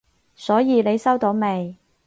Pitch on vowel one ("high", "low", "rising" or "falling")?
rising